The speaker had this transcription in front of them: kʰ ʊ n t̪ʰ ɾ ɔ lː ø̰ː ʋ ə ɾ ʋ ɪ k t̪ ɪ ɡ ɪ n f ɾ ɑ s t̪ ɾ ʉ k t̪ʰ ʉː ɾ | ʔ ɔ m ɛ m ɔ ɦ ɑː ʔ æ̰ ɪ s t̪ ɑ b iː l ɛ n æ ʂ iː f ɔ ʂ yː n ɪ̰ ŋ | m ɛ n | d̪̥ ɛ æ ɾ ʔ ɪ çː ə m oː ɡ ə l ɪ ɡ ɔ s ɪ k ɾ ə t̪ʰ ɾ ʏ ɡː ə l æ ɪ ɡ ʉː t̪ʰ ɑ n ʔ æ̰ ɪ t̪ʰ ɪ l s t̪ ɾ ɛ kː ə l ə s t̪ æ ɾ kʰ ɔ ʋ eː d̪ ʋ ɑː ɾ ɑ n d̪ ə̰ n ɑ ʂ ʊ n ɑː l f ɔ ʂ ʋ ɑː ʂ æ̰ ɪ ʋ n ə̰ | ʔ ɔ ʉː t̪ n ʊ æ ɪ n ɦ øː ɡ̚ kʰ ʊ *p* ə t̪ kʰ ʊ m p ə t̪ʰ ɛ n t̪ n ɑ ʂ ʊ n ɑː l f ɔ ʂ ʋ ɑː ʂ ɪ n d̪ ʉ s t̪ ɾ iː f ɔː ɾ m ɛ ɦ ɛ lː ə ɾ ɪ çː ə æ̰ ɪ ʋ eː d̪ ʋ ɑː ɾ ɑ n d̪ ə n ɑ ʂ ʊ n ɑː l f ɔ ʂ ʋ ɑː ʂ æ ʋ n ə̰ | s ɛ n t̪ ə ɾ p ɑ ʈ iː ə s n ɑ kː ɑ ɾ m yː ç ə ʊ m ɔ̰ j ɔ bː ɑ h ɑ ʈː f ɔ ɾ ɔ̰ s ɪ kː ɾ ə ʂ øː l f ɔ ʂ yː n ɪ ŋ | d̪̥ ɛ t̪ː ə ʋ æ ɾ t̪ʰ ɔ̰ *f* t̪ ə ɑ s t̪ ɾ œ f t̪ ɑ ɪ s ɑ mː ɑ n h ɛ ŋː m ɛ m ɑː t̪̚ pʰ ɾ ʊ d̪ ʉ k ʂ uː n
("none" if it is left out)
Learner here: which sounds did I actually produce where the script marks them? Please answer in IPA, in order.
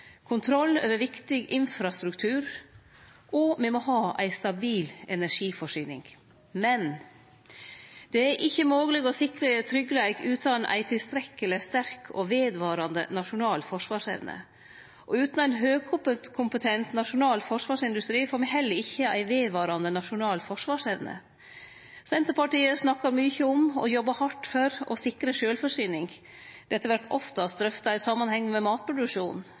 p, f

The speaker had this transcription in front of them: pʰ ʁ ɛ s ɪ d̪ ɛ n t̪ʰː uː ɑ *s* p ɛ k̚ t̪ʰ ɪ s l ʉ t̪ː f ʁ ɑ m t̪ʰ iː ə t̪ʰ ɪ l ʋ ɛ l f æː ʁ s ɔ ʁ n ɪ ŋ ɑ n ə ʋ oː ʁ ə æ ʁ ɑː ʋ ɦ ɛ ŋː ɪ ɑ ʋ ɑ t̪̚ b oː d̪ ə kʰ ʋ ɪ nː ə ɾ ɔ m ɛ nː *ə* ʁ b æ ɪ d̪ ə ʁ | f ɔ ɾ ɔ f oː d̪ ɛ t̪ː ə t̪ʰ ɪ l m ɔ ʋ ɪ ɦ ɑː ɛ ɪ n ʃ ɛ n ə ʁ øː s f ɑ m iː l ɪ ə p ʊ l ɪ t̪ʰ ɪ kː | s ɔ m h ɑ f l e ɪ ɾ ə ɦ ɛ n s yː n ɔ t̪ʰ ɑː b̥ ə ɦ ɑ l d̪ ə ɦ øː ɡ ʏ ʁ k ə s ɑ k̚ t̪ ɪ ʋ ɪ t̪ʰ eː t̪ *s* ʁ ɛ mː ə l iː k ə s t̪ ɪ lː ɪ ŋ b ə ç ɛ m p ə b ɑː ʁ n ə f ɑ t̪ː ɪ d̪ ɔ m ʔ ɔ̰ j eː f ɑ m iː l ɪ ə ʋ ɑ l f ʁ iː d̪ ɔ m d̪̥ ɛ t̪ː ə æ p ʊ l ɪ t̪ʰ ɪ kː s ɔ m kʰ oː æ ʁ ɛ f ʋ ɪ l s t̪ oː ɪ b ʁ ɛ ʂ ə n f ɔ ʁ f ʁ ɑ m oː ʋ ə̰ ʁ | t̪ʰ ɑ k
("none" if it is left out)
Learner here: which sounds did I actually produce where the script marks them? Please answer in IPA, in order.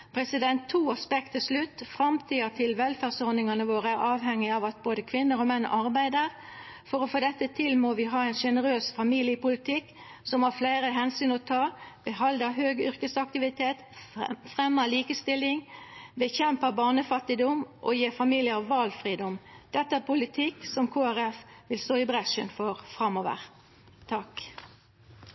s, ɑ, f

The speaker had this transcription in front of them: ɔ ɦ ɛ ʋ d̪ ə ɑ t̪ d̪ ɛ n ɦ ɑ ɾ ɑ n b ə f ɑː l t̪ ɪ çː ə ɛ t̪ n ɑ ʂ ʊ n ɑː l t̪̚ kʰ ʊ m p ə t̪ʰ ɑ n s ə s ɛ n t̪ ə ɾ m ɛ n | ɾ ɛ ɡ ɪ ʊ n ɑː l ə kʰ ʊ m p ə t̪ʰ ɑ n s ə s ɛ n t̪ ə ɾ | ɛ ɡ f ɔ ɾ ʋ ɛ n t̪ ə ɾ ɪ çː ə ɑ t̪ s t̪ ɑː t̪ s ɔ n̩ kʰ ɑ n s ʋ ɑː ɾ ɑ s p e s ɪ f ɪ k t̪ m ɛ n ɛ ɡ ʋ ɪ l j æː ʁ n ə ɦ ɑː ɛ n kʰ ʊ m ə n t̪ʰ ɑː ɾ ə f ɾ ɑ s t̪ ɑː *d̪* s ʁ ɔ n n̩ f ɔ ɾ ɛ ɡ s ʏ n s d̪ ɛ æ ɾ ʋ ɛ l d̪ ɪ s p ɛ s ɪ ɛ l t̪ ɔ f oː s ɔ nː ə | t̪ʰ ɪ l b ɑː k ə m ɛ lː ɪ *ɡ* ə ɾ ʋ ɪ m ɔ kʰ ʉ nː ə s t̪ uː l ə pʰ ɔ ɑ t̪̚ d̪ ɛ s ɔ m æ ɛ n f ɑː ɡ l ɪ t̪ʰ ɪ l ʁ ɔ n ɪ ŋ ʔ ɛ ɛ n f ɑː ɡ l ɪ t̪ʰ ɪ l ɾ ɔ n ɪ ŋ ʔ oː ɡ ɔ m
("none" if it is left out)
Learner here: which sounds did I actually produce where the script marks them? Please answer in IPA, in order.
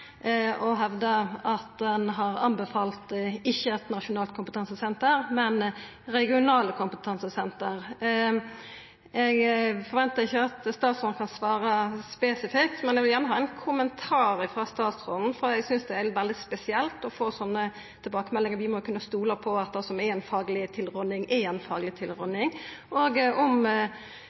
t̪, ŋ

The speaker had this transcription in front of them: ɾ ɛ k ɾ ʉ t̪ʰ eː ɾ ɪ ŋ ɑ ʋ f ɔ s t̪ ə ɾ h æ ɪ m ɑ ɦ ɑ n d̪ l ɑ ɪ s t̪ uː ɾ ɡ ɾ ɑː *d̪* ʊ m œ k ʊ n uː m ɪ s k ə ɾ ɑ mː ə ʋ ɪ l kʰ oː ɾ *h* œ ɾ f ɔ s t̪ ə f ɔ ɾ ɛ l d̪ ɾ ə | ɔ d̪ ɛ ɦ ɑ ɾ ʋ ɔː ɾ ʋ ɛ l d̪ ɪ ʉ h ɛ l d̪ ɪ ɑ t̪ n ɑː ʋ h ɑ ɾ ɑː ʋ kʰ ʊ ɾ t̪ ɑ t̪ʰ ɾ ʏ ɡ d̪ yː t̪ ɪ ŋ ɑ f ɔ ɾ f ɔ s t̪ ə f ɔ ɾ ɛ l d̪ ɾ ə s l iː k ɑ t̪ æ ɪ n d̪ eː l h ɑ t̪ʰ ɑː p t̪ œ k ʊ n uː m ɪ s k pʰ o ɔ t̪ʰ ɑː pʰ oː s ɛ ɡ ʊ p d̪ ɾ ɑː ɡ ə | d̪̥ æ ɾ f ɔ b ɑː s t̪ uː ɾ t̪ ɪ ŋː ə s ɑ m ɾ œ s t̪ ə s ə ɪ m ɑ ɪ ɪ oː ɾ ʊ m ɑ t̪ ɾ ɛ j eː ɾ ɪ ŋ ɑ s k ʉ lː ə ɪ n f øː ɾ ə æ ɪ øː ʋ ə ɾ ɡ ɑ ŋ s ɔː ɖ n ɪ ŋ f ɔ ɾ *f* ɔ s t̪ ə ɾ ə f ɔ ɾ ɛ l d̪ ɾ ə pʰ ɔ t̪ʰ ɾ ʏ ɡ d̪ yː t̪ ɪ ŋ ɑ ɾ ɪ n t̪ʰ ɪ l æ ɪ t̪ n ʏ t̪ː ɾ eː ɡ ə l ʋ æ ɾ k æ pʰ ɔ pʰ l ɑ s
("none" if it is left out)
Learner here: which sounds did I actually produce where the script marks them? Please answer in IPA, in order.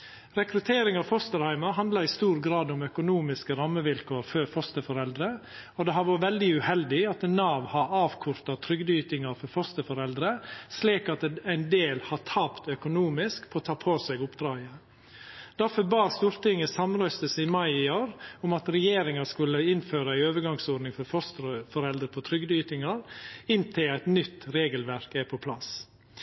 d̪, f, f

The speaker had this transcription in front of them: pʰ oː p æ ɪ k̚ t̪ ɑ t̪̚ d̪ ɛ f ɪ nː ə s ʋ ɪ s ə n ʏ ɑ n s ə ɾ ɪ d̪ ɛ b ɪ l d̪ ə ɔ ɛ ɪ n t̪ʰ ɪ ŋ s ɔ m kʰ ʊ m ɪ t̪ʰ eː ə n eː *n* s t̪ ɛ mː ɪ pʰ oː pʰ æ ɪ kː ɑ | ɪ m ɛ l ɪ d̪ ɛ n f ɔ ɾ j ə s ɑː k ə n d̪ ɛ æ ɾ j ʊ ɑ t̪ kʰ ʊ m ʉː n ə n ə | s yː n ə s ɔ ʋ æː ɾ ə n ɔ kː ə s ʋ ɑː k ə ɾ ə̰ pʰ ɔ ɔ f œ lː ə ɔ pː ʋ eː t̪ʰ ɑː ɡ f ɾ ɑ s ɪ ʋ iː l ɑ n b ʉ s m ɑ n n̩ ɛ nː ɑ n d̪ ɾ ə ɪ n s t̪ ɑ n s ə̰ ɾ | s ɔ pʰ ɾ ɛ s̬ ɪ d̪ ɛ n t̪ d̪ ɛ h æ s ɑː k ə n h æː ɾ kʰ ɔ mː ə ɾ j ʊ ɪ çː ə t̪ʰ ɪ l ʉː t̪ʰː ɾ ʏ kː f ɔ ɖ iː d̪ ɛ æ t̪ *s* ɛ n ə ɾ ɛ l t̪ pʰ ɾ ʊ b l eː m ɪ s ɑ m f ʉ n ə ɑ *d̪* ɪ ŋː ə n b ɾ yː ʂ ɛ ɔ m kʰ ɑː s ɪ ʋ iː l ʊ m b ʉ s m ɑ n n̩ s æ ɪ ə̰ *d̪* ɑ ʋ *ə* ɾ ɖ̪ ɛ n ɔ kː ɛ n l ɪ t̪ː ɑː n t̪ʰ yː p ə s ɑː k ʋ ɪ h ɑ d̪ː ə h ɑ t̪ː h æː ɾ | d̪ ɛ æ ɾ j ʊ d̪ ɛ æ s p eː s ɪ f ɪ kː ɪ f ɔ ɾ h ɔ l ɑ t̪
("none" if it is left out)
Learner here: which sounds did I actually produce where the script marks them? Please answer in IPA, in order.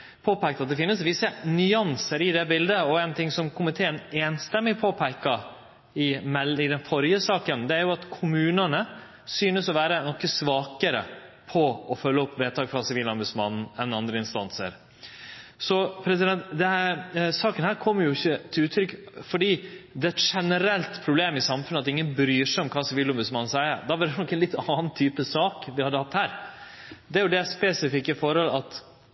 n, ʂ, t̪, d̪, ɑ

